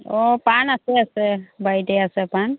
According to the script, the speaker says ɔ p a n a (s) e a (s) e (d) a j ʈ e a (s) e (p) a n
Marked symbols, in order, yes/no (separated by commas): yes, yes, no, yes, yes